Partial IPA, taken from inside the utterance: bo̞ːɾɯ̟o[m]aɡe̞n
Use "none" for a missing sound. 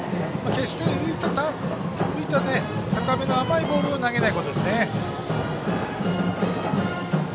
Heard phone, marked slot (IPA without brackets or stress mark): n